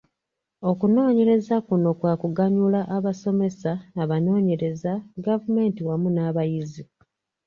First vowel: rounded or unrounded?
rounded